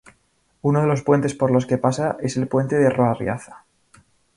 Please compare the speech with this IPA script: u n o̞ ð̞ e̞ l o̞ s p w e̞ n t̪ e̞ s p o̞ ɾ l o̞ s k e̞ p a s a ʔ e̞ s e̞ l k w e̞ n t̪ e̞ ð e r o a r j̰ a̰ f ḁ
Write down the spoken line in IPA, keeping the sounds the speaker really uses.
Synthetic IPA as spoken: u n o̞ ð̞ e̞ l o̞ s p w e̞ n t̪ e̞ s p o̞ ɾ l o̞ s k e̞ p a s a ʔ e̞ s e̞ l p w e̞ n t̪ e̞ ð e r o a r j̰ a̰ θ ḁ